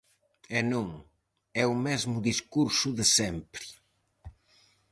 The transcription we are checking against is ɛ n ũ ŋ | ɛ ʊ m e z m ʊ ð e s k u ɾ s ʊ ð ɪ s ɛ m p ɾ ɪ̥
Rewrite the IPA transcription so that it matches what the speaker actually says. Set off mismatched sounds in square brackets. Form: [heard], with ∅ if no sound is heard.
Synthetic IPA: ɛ n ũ ŋ | ɛ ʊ m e z m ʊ ð [i] s k u ɾ s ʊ ð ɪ s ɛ m p ɾ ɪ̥